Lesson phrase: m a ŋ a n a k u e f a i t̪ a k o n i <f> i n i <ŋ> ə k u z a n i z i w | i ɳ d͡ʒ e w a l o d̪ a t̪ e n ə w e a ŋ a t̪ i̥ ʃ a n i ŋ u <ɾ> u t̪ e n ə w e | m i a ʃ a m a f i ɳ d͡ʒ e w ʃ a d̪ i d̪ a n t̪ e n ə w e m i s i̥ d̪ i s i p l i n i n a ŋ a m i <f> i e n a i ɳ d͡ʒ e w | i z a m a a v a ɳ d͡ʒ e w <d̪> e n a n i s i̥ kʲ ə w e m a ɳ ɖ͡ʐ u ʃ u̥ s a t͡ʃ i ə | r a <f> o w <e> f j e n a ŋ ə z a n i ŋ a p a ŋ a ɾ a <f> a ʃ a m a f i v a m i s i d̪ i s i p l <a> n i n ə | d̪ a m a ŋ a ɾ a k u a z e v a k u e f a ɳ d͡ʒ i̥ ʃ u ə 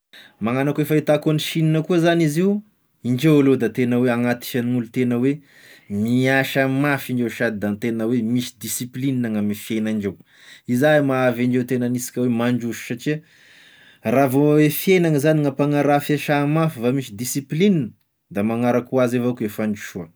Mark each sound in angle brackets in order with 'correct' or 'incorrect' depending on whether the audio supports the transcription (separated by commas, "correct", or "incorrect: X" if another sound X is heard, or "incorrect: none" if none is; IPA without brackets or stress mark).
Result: incorrect: ʃ, incorrect: n, incorrect: l, correct, incorrect: t̪, incorrect: v, correct, correct, incorrect: i